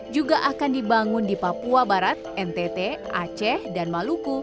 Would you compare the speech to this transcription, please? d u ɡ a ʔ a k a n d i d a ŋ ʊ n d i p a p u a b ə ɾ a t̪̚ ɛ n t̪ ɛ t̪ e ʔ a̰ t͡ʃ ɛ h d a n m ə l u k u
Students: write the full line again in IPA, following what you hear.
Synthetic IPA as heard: d͡ʒ u ɡ a ʔ a k a n d i b a ŋ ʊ n d i p a p u a b a ɾ a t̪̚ ɛ n t̪ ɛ t̪ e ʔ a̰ t͡ʃ ɛ h d a n m a l u k u